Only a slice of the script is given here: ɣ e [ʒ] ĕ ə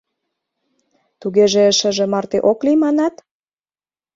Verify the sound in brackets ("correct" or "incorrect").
correct